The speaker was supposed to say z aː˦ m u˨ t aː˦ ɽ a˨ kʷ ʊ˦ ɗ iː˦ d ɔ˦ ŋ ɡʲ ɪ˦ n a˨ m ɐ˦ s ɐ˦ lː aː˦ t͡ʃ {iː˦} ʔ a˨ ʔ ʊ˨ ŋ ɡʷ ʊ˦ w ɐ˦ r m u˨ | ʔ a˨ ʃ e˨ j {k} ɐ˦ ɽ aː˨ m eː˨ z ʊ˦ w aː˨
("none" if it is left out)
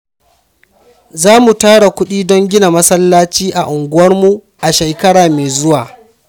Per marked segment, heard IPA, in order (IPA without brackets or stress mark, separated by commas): iː˦, k